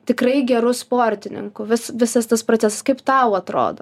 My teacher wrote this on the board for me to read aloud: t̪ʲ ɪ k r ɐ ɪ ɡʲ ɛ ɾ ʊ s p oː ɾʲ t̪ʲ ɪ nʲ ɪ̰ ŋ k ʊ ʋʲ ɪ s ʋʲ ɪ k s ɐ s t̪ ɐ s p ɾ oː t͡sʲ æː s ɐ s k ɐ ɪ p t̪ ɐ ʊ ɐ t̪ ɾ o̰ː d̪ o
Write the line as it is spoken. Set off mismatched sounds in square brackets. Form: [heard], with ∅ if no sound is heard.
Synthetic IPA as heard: t̪ʲ ɪ k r ɐ ɪ ɡʲ ɛ ɾ ʊ s p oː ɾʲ t̪ʲ ɪ nʲ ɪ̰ ŋ k ʊ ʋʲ ɪ s ʋʲ ɪ [∅] s ɐ s t̪ ɐ s p ɾ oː t͡sʲ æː s ɐ s k ɐ ɪ p t̪ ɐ ʊ ɐ t̪ ɾ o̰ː d̪ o